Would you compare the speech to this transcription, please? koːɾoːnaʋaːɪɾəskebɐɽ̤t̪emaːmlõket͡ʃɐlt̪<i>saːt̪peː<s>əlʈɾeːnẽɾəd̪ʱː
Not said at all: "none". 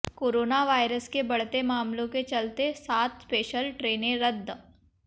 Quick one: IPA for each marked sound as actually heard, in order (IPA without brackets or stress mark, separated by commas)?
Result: e, ʃ